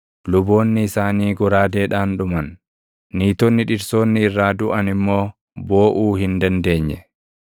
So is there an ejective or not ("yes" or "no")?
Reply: no